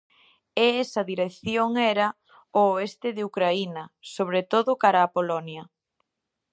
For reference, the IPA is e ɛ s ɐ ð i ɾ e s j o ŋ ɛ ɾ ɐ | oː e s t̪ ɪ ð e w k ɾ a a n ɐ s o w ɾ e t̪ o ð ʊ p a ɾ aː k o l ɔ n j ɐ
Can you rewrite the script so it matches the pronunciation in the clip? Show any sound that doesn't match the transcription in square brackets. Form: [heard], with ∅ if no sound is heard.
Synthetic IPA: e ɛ s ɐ ð i ɾ e [θ] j o ŋ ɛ ɾ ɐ | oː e s t̪ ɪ ð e [u] k ɾ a [i] n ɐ s o [β] ɾ e t̪ o ð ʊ [k] a ɾ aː [p] o l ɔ n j ɐ